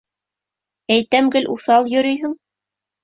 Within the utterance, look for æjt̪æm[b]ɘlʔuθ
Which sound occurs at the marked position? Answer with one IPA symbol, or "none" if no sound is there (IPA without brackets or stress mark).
ɡ